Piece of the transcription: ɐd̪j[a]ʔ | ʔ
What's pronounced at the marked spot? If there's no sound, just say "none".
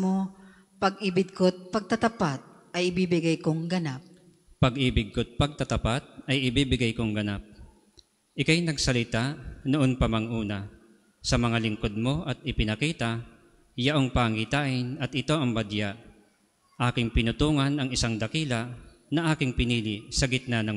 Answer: a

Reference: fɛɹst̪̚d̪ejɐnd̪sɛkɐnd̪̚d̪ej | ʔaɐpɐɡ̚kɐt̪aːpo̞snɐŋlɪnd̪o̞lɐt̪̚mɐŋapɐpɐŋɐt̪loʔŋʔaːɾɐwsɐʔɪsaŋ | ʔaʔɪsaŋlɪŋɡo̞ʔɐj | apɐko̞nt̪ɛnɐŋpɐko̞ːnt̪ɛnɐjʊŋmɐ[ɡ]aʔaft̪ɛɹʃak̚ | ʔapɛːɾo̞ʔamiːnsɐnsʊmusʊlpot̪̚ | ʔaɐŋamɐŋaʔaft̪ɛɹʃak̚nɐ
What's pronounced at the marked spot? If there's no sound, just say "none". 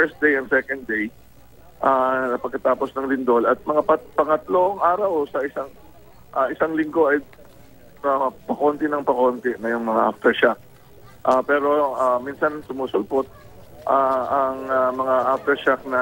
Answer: ŋ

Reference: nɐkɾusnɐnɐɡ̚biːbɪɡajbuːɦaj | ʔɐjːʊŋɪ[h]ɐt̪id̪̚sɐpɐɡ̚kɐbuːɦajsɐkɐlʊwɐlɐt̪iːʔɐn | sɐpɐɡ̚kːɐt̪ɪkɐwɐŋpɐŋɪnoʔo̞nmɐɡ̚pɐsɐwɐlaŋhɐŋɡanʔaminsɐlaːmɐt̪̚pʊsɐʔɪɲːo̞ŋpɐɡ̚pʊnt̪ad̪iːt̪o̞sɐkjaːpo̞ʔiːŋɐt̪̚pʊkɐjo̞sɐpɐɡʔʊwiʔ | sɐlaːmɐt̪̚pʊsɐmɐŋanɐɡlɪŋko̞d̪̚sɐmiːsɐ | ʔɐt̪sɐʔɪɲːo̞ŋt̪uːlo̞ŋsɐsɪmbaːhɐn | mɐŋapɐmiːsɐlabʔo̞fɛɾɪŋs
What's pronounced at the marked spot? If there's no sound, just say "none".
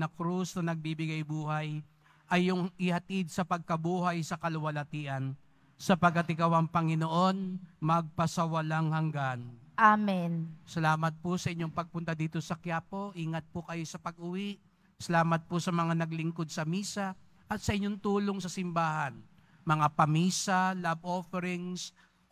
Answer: h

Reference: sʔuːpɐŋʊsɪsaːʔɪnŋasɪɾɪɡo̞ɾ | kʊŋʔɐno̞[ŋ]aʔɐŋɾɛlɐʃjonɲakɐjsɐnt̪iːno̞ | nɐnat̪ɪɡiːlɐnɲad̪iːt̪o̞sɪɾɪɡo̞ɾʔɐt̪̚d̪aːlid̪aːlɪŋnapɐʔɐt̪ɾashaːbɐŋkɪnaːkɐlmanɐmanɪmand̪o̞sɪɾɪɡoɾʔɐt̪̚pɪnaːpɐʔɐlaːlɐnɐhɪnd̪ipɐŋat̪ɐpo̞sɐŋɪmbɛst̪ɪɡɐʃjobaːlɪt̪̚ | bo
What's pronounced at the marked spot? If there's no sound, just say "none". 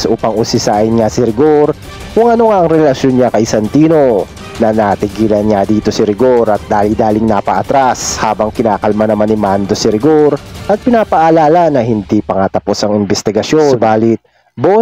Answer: ŋ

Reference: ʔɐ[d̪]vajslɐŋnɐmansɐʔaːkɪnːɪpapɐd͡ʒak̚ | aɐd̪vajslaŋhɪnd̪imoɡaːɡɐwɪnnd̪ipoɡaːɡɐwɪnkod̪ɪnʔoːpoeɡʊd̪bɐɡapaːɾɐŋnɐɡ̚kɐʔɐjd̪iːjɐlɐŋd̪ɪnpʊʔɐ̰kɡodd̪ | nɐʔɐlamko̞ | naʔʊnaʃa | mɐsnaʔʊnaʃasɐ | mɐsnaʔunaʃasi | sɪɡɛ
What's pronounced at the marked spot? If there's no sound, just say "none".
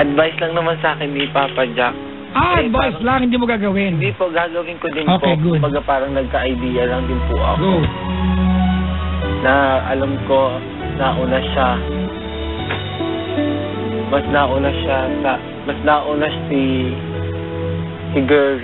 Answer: d̪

